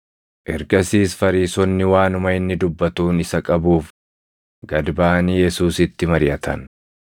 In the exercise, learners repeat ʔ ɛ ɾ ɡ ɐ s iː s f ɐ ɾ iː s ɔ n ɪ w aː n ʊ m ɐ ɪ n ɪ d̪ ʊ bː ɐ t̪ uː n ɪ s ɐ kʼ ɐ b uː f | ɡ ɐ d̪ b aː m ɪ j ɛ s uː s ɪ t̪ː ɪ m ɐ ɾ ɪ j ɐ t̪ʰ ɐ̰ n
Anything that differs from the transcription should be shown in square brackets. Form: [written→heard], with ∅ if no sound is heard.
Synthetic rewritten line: ʔ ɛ ɾ ɡ ɐ s iː s f ɐ ɾ iː s ɔ [n→nː] ɪ w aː n ʊ m ɐ ɪ [n→nː] ɪ d̪ ʊ bː ɐ t̪ uː n ɪ s ɐ kʼ ɐ b uː f | ɡ ɐ d̪ b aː [m→n] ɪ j ɛ s uː s ɪ t̪ː ɪ m ɐ ɾ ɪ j ɐ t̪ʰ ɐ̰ n